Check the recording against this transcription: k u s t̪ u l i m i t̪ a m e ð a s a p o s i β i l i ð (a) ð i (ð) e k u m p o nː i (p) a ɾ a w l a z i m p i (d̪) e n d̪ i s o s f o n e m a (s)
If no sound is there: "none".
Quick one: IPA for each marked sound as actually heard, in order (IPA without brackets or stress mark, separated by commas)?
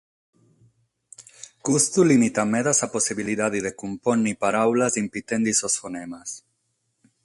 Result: a, ð, p, t̪, s